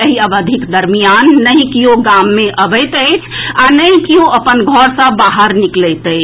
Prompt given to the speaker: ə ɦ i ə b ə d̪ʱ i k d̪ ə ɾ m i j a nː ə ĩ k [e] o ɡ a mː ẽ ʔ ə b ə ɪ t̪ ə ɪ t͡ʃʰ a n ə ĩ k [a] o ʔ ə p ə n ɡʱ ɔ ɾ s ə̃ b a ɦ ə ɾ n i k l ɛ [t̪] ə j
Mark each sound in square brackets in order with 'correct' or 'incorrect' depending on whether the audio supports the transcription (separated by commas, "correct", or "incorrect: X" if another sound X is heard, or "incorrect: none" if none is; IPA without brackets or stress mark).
incorrect: i, incorrect: i, correct